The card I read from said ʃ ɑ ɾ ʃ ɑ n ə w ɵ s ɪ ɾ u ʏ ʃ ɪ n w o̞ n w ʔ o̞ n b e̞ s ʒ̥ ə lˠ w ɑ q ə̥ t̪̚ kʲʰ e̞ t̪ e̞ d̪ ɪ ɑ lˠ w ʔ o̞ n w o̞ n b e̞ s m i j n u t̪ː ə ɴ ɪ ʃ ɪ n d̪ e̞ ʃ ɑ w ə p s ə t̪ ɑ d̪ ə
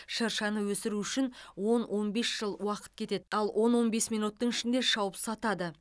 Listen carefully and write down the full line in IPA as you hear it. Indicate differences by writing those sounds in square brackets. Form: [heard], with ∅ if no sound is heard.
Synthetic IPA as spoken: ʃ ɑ ɾ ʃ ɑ n ə w ɵ s ɪ ɾ u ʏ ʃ ɪ n w o̞ n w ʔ o̞ n b e̞ s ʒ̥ ə lˠ w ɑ q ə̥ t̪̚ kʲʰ e̞ t̪ e̞ d̪ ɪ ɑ lˠ w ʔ o̞ n w o̞ n b e̞ s m i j n u t̪ː ə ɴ ɪ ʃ ɪ n d̪ e̞ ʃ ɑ w ə p s [ɑ] t̪ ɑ d̪ ə